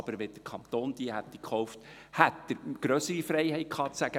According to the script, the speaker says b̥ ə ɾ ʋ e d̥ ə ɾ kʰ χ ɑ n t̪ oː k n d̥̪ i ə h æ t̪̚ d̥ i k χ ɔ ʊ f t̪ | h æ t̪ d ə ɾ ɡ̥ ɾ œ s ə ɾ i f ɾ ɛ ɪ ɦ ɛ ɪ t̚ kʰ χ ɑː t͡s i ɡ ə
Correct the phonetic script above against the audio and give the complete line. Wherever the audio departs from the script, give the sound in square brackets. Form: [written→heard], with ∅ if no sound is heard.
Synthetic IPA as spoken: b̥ ə ɾ ʋ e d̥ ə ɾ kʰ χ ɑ n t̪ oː [k→∅] n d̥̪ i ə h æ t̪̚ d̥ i k χ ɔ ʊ f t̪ | h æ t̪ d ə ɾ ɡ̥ ɾ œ s ə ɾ i f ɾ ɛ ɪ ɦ ɛ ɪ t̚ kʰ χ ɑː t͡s [i→æ] ɡ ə